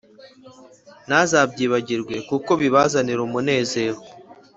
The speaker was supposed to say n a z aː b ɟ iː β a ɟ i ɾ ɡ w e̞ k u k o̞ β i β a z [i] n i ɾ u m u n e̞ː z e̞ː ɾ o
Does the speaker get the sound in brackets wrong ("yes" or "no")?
yes